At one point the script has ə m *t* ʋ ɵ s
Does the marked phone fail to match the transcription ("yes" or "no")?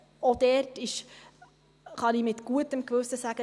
yes